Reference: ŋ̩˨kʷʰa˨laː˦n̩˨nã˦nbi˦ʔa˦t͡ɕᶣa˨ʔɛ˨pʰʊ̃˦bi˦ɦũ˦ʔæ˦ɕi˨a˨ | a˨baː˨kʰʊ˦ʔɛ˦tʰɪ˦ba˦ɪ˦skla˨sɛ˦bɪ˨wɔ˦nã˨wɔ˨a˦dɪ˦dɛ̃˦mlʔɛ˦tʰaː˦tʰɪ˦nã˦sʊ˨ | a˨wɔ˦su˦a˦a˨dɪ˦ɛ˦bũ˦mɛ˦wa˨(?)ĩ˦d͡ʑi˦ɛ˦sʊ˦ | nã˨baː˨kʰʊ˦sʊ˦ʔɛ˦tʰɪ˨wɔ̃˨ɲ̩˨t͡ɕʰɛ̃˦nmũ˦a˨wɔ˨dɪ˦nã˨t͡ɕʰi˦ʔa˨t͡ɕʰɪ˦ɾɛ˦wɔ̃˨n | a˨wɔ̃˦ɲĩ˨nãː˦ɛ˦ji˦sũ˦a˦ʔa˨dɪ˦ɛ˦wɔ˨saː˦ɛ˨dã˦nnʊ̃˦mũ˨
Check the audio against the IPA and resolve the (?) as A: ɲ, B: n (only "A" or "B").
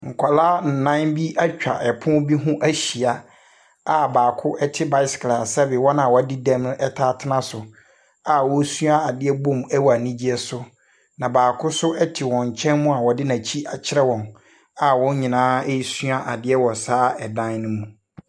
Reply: B